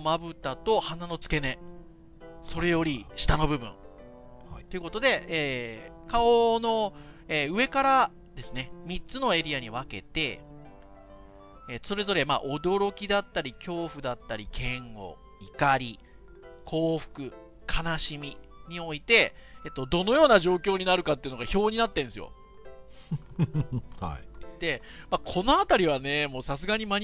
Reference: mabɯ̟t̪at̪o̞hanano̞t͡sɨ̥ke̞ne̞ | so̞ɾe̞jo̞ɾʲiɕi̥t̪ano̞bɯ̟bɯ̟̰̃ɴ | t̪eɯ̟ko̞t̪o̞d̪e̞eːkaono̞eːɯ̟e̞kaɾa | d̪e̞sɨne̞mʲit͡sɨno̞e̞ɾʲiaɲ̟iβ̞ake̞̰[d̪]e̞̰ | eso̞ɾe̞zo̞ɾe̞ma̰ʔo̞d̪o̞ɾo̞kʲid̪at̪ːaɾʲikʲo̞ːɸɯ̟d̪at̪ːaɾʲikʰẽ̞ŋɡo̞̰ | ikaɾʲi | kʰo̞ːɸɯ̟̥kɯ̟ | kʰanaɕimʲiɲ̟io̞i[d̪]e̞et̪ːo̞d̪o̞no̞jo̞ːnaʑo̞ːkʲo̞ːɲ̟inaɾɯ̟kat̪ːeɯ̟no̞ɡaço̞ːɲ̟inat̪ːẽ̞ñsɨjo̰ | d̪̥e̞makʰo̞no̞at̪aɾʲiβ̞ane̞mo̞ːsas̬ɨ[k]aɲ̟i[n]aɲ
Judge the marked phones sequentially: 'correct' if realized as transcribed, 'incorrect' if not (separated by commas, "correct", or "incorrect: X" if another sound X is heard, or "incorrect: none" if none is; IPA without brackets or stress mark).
incorrect: t̪, incorrect: t̪, incorrect: ɡ, incorrect: m